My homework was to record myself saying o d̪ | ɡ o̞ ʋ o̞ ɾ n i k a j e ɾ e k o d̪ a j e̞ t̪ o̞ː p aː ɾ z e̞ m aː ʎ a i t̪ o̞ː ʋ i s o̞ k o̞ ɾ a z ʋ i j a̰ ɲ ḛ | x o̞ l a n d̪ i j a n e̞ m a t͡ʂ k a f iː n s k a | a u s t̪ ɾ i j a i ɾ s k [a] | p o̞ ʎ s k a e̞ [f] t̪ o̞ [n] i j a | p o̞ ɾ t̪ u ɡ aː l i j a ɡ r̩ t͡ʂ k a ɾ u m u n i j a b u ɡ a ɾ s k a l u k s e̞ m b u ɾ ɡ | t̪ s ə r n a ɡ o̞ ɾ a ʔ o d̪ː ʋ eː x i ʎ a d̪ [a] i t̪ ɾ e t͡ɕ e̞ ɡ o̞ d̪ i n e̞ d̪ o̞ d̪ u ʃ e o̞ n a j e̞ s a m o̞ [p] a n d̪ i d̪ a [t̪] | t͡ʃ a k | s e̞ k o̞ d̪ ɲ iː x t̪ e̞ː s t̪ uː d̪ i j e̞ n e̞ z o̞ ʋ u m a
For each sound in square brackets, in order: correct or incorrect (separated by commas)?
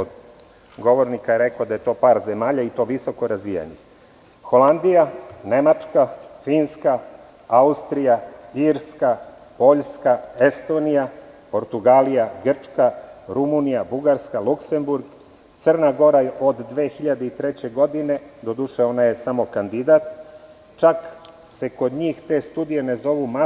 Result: correct, incorrect, correct, incorrect, incorrect, correct